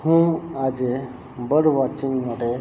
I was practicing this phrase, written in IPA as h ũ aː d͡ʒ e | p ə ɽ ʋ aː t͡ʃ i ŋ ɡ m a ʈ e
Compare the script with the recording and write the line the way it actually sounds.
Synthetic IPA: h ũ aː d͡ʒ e | b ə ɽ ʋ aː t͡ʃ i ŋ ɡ m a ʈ e